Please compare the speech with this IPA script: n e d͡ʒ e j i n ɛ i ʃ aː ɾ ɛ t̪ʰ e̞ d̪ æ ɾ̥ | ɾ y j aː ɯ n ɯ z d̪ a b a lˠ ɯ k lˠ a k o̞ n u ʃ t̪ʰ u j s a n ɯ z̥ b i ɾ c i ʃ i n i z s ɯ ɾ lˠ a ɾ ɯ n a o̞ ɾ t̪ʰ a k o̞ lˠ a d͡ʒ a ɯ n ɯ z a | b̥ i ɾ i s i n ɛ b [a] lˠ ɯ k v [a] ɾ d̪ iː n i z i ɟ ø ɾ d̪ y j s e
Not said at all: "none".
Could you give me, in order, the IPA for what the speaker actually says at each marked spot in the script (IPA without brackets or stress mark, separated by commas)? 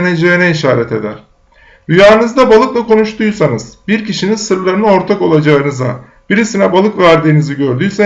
a, æ